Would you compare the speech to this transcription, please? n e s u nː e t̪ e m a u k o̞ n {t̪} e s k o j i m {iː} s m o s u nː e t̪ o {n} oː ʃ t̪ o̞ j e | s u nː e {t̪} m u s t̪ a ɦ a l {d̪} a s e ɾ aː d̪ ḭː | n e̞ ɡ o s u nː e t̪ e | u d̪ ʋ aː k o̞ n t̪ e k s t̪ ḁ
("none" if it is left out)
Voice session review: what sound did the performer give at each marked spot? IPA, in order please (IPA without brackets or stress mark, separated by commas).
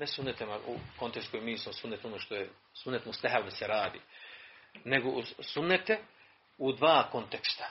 t̪, iː, n, t̪, d̪